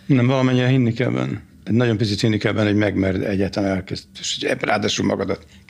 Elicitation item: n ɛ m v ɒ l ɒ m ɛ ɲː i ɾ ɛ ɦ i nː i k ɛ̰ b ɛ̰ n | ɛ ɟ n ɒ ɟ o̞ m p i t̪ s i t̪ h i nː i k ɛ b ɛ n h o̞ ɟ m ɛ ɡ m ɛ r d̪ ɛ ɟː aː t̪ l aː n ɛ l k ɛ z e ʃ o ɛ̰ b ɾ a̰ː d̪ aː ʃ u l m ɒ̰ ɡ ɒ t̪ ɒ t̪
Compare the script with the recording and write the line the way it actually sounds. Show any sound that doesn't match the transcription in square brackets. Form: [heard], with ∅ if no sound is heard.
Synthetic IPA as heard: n ɛ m v ɒ l ɒ m ɛ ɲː i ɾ ɛ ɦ i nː i k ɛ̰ b ɛ̰ n | ɛ ɟ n ɒ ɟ o̞ m p i t̪ s i t̪ h i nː i k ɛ b ɛ n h o̞ ɟ m ɛ ɡ m ɛ r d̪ ɛ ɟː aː t̪ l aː n ɛ l k ɛ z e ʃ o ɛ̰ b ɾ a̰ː d̪ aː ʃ u l m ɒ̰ ɡ ɒ [d̪] ɒ t̪